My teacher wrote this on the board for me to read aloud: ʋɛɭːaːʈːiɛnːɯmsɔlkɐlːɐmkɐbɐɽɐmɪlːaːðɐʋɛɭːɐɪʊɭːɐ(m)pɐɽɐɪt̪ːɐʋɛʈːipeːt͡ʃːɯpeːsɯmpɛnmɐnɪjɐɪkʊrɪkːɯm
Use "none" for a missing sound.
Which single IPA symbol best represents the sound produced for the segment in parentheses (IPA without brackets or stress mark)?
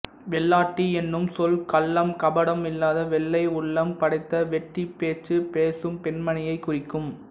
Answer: m